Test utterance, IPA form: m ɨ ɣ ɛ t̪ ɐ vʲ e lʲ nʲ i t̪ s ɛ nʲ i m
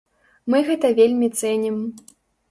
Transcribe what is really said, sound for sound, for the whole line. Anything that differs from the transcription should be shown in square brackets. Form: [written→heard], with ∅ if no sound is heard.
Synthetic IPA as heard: m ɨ ɣ ɛ t̪ ɐ vʲ e lʲ [nʲ→mʲ] i t̪ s ɛ nʲ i m